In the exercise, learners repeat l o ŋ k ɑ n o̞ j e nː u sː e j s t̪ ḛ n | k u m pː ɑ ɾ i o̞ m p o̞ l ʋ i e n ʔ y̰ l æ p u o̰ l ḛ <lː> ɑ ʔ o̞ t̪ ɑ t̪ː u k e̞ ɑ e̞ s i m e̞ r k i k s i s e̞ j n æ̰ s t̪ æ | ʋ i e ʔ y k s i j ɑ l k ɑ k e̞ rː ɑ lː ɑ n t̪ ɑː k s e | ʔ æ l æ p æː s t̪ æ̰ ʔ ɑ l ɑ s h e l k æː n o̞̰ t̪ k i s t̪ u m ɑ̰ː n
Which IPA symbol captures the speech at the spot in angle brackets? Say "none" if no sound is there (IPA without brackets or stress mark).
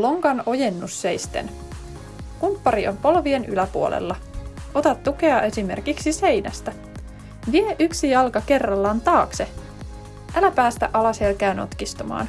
lː